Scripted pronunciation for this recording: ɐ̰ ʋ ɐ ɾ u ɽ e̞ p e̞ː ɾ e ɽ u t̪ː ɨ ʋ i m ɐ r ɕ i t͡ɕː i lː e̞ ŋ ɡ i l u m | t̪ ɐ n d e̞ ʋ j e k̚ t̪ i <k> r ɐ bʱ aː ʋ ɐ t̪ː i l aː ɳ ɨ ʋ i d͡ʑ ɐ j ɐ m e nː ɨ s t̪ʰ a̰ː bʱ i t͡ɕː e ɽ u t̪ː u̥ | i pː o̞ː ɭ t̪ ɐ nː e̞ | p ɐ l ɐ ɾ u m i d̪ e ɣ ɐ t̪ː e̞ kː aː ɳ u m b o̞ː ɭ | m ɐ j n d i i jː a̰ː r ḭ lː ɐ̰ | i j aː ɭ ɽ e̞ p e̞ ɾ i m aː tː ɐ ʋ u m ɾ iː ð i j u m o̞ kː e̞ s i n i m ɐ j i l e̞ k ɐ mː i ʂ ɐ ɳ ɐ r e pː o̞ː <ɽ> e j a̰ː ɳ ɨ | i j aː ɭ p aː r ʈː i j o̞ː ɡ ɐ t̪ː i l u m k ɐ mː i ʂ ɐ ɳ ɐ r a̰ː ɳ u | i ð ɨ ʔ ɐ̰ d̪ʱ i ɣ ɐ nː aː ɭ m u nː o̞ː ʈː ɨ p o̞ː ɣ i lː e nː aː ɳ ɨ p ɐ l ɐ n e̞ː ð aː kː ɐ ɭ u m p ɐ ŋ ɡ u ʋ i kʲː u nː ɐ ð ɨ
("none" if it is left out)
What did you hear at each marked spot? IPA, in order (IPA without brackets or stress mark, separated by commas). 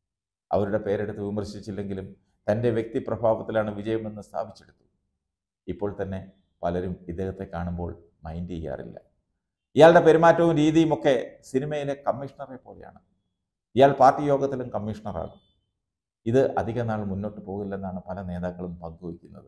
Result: p, l